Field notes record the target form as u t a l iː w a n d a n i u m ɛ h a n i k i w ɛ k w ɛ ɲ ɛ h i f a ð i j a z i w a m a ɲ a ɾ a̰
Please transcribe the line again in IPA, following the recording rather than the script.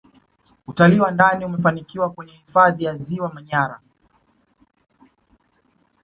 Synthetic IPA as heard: u t a l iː w a n d a n i u m ɛ f a n i k i w a k w ɛ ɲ ɛ h i f a ð i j a z i w a m a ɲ a ɾ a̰